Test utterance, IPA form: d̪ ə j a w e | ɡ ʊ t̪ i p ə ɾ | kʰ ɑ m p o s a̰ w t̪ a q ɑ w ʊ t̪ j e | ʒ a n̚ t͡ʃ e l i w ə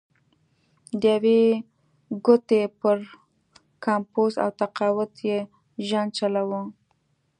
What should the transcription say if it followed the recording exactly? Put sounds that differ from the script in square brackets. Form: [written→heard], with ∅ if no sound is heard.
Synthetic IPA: d̪ ə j a w e | ɡ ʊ t̪ [i→e] p ə ɾ | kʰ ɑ m p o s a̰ w t̪ a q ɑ w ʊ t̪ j e | ʒ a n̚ t͡ʃ [e→a] l [i→a] w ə

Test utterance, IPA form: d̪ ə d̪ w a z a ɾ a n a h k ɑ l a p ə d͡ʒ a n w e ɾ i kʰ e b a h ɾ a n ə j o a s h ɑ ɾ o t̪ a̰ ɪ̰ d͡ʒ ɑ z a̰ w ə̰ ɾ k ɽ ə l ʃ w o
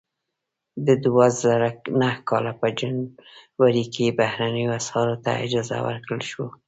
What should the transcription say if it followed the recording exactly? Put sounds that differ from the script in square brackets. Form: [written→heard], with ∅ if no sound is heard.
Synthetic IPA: d̪ ə d̪ w a z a ɾ a n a h k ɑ l a p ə d͡ʒ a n w [e→a] ɾ i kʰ e b a h ɾ a n ə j o a s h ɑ ɾ o t̪ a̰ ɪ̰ d͡ʒ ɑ z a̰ w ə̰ ɾ k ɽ ə l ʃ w o

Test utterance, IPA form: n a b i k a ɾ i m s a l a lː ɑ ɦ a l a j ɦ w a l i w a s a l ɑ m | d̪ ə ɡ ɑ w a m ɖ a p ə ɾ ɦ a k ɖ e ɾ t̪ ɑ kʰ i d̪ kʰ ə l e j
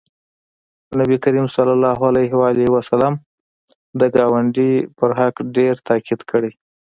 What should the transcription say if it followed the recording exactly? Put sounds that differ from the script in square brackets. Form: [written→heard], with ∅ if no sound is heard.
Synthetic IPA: n a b i k a ɾ i m s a l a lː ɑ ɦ a l a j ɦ w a l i w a s a l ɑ m | d̪ ə ɡ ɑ w a [m→ɳ] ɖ [a→i] p ə ɾ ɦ a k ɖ e ɾ t̪ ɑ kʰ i d̪ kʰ ə [l→ɽ] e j

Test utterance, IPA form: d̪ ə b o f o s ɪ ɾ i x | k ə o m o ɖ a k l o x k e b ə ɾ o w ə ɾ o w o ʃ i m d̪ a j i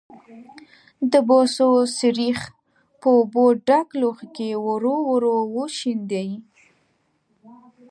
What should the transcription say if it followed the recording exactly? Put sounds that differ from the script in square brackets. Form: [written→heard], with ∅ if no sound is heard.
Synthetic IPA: d̪ ə b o [f→s] o s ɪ ɾ i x | [k→p] ə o [m→b] o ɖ a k l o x k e [b→w] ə ɾ o w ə ɾ o w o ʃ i [m→n] d̪ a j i

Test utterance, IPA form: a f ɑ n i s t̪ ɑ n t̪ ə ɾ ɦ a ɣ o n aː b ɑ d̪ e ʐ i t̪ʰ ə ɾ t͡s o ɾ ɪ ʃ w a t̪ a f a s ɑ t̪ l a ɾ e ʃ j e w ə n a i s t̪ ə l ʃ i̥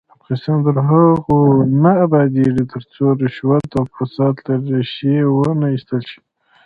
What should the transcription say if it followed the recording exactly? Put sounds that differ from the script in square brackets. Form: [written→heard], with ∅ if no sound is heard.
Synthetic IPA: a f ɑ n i s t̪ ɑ n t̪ ə ɾ ɦ a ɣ o n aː b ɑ d̪ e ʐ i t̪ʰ ə ɾ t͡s o ɾ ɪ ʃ w a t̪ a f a s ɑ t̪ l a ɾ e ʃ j e w ə n a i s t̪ ə l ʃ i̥

